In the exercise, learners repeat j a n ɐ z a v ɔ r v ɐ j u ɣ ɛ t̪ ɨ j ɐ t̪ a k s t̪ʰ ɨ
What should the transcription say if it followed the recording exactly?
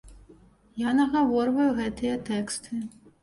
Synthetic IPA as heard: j a n ɐ ɣ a v ɔ r v ɐ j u ɣ ɛ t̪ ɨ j ɐ t̪ ɛ k s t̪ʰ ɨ